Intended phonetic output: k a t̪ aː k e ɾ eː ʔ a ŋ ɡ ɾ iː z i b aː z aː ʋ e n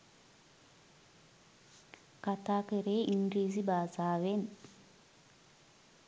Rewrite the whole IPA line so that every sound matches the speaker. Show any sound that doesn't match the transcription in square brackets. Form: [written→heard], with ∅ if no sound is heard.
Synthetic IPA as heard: k a t̪ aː k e ɾ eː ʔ [a→i] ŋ ɡ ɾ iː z i b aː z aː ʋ e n